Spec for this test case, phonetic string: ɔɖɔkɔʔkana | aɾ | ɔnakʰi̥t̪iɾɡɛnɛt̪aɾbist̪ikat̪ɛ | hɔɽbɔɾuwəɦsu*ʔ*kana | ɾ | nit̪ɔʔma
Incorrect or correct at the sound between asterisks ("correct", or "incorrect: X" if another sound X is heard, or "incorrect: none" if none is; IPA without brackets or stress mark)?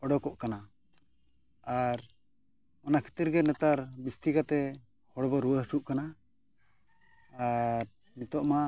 correct